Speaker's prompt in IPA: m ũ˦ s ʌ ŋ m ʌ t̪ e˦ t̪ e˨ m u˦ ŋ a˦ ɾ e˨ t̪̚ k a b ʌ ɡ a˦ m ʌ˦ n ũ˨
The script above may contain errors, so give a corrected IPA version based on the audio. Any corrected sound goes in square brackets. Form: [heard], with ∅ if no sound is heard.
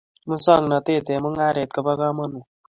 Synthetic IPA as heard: m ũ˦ s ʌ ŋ [n] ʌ t̪ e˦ t̪ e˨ m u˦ ŋ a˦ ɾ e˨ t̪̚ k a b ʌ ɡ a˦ m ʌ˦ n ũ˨